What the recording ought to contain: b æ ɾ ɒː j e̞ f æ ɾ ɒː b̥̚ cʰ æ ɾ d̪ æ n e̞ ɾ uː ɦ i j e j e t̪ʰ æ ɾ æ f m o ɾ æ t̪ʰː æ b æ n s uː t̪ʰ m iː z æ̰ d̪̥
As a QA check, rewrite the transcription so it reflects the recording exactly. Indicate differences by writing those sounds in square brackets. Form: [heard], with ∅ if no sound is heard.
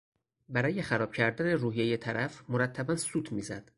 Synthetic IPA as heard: b æ ɾ ɒː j e̞ [x] æ ɾ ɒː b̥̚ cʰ æ ɾ d̪ æ n e̞ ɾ uː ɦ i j e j e t̪ʰ æ ɾ æ f m o ɾ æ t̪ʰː æ b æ n s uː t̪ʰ m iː z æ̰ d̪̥